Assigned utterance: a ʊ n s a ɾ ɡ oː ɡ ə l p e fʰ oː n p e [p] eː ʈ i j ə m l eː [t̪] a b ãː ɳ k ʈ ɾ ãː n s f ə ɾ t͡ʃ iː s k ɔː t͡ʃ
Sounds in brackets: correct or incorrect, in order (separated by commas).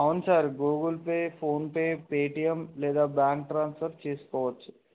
correct, incorrect